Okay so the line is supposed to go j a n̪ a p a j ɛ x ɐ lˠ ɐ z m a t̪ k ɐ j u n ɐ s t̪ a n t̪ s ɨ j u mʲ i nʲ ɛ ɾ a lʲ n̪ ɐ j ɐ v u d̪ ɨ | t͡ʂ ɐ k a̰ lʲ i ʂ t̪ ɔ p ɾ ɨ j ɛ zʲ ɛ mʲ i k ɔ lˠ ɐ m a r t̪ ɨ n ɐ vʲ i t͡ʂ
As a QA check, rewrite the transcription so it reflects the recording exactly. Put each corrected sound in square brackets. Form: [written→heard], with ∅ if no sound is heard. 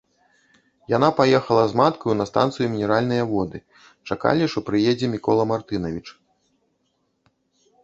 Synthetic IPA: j a n̪ a p a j ɛ x ɐ lˠ ɐ z m a t̪ k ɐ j u n ɐ s t̪ a n t̪ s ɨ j u mʲ i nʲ ɛ ɾ a lʲ n̪ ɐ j ɐ v [u→ɔ] d̪ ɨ | t͡ʂ [ɐ→a] k a̰ lʲ i ʂ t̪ ɔ p ɾ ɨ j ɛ [zʲ→d͡zʲ] ɛ mʲ i k ɔ lˠ ɐ m a r t̪ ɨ n ɐ vʲ i t͡ʂ